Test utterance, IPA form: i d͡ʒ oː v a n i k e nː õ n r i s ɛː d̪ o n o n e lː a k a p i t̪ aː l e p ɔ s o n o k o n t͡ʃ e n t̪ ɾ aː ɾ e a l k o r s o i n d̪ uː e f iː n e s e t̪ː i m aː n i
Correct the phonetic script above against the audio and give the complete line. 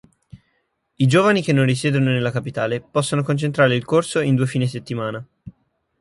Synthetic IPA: i d͡ʒ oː v a n i k e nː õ n r i s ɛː d̪ o n o n e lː a k a p i t̪ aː l e p ɔ sː o n o k o n t͡ʃ e n t̪ ɾ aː ɾ e i l k o r s o i n d̪ uː e f iː n e s e t̪ː i m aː n a